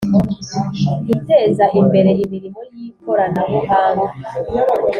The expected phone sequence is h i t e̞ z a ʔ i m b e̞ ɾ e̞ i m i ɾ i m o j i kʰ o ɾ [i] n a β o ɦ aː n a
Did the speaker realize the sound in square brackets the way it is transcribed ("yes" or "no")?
no